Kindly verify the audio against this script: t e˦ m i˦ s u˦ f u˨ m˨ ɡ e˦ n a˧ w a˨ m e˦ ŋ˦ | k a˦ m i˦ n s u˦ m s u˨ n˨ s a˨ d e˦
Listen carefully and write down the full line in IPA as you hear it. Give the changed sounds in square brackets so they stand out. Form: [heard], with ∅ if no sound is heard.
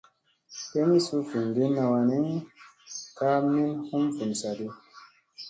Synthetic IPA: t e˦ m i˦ s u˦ f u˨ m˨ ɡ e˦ n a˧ w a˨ [n] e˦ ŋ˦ | k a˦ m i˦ n [h] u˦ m [f] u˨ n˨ s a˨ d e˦